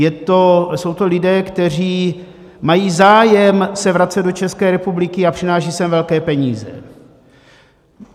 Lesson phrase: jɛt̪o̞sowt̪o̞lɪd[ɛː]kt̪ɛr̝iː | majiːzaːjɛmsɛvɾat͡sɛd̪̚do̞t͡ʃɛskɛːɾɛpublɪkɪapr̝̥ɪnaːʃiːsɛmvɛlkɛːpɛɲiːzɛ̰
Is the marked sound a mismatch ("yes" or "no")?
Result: no